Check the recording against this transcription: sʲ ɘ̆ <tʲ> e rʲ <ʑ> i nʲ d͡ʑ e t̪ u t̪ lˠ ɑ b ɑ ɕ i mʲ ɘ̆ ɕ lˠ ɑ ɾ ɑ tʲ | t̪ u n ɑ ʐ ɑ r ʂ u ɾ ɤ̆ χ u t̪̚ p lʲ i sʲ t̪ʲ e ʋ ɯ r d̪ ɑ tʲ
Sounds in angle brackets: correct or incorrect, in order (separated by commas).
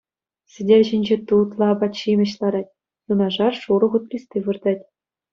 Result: incorrect, correct